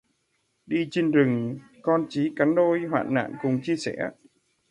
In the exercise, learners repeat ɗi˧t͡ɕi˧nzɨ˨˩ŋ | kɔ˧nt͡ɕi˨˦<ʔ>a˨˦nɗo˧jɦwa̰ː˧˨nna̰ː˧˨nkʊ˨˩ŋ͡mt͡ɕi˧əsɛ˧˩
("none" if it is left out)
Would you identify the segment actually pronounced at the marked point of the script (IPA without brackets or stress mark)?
k